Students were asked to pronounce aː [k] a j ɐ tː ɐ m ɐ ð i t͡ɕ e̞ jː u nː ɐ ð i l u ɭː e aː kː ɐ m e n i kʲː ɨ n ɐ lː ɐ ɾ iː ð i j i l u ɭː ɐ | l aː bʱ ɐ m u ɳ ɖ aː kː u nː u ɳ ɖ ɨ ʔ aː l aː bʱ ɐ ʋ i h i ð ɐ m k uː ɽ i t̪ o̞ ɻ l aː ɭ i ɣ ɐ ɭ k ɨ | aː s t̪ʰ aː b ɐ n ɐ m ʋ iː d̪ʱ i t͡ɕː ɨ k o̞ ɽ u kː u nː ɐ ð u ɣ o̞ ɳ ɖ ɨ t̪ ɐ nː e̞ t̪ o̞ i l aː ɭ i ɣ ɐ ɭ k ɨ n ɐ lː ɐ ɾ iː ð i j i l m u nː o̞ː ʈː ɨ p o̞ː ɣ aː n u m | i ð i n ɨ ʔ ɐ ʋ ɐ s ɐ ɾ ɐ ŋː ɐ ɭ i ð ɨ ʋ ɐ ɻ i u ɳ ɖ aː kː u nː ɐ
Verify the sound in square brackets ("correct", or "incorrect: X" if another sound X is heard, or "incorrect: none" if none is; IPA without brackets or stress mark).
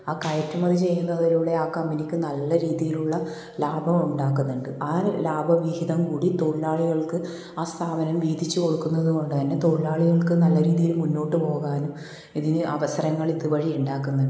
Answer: correct